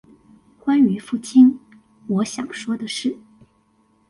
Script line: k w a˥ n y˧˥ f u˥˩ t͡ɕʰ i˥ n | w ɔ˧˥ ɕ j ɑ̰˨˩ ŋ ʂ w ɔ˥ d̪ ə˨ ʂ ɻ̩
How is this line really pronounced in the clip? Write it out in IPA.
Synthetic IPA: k w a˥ n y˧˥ f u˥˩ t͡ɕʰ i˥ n | w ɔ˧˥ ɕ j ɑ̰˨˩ ŋ ʂ w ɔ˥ d̪ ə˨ ʂ ɻ̩